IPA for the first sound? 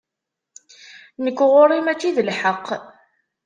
n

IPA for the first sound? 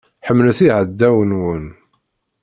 ħ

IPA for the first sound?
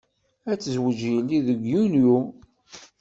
æ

